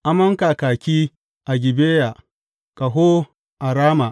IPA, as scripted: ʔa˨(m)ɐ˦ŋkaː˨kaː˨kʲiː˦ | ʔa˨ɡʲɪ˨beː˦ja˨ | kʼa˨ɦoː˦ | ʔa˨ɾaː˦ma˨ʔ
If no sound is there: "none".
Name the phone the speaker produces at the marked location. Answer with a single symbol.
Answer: m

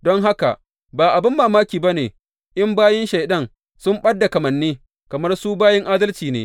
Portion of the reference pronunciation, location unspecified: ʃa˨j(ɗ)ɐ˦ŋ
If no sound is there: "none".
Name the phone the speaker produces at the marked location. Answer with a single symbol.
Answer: ɗ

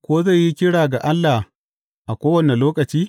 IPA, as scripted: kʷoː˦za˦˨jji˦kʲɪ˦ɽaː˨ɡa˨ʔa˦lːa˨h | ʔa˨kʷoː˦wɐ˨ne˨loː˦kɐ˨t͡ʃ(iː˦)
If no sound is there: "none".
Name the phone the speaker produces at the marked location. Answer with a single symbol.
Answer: iː˦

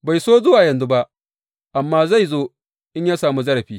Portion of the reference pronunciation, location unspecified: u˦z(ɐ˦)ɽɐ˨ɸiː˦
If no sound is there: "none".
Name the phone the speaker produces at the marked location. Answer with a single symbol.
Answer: ɐ˦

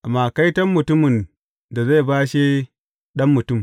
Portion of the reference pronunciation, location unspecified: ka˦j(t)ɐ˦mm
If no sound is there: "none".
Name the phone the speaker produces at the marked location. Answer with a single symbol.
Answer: t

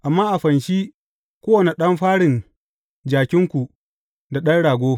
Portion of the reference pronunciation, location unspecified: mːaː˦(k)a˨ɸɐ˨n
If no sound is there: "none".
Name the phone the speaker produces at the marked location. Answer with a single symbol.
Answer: ʔ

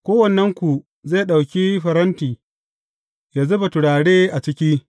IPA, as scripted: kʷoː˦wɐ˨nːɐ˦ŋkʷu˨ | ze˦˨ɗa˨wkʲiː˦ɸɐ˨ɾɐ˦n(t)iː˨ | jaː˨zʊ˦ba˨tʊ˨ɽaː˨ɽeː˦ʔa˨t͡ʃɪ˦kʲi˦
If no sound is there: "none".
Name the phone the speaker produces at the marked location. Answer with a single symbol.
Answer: t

